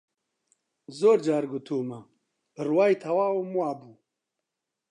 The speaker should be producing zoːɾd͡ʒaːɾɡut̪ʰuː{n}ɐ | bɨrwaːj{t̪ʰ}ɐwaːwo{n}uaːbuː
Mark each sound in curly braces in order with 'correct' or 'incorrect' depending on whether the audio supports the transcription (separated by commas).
incorrect, correct, incorrect